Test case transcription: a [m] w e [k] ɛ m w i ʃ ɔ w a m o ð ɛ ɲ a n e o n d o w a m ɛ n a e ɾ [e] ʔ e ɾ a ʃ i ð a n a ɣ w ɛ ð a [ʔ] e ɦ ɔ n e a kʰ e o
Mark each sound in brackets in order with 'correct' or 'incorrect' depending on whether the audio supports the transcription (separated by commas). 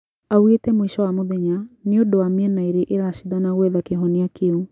incorrect, incorrect, correct, incorrect